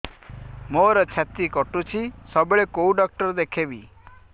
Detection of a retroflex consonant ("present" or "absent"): present